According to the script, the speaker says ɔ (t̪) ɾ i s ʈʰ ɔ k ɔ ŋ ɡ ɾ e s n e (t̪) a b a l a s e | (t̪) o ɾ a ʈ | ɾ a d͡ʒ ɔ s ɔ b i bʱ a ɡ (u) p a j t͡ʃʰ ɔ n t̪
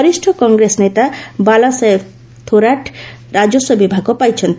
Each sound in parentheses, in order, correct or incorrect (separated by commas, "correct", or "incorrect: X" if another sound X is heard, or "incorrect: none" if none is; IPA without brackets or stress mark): incorrect: none, correct, incorrect: t̪ʰ, incorrect: ɔ